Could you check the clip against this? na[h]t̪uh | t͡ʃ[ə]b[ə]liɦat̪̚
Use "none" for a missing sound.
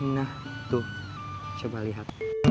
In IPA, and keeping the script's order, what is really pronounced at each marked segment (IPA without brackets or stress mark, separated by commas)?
h, ə, a